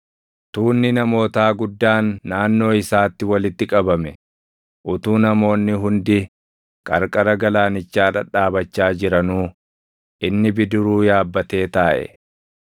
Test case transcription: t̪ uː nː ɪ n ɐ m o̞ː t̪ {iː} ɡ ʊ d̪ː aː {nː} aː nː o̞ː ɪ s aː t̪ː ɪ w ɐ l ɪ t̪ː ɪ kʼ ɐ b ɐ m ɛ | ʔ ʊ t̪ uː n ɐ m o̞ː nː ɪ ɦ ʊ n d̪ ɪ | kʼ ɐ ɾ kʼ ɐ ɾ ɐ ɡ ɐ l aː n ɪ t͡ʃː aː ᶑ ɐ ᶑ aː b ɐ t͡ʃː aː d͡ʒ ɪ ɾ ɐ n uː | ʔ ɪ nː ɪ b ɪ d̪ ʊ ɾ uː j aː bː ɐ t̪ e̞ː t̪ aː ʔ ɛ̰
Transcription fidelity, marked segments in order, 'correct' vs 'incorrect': incorrect: aː, correct

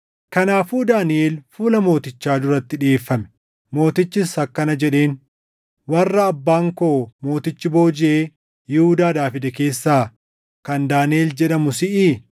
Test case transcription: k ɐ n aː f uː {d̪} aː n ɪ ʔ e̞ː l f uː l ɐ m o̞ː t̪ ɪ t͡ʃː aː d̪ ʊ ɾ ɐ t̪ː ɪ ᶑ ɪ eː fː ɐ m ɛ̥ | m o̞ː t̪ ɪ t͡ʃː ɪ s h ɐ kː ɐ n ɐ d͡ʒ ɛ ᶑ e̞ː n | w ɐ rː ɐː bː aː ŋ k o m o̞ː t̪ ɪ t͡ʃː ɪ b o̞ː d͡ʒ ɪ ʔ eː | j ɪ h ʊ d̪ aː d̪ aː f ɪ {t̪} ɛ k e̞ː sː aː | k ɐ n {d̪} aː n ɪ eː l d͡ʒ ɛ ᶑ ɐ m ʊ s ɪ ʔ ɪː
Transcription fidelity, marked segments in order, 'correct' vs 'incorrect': correct, incorrect: d̪, correct

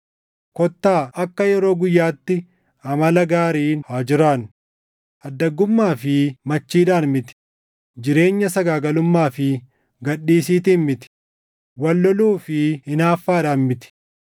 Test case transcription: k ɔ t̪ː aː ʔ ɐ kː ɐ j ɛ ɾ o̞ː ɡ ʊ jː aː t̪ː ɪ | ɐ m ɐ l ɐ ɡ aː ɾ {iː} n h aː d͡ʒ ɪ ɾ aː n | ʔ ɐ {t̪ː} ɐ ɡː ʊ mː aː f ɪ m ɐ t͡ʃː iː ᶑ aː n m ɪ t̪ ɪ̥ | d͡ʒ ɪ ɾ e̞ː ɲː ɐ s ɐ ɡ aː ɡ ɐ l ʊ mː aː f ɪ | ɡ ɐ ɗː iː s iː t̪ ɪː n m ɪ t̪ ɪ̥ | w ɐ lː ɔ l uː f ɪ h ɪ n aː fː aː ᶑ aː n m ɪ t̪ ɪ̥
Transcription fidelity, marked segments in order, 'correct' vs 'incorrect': correct, incorrect: d̪ː

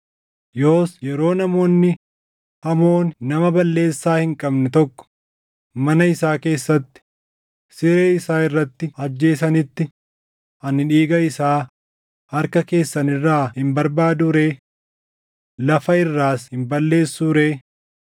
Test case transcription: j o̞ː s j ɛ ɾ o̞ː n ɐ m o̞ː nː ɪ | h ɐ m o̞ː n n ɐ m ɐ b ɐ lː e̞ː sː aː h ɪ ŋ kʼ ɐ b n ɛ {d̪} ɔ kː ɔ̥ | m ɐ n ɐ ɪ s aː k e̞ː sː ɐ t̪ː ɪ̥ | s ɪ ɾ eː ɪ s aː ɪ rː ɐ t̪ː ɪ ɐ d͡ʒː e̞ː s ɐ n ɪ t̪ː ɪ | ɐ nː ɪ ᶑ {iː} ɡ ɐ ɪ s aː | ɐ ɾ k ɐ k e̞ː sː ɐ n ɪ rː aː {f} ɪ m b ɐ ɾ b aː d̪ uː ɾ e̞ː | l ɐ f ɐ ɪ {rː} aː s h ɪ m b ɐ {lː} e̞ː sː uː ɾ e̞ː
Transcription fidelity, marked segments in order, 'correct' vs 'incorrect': incorrect: t̪, correct, incorrect: h, correct, correct

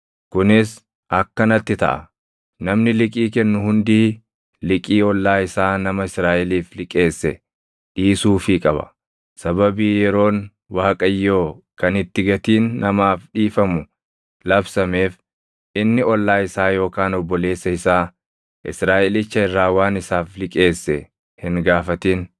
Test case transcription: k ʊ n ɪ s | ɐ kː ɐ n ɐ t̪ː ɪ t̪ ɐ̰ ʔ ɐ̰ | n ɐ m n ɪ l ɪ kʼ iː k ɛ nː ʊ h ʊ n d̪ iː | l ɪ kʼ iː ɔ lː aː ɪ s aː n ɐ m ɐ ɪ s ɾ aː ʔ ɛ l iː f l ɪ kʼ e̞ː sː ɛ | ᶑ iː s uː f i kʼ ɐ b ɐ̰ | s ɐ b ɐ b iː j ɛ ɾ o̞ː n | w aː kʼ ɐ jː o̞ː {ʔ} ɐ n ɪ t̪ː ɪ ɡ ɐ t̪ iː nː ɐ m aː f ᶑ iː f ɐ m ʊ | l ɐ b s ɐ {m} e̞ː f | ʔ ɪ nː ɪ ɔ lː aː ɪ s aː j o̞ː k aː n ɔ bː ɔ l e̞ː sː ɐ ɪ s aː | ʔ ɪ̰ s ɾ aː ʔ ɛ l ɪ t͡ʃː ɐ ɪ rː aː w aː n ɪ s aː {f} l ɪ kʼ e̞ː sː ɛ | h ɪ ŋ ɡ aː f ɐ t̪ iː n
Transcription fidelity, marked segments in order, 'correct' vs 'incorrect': incorrect: k, correct, correct

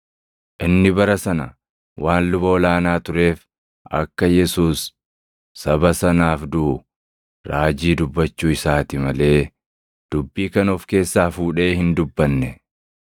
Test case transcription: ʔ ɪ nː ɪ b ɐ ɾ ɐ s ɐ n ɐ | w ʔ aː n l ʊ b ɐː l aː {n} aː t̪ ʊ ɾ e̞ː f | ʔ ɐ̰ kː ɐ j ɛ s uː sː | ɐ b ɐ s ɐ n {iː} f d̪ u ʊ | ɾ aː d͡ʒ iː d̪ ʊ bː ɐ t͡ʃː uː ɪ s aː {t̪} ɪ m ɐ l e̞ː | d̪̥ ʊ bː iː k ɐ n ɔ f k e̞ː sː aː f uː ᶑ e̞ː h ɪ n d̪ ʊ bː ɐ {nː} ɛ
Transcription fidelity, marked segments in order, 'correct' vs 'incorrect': correct, incorrect: aː, correct, correct

